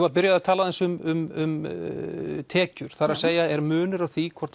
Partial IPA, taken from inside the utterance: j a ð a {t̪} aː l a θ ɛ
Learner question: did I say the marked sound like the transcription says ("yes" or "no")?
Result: no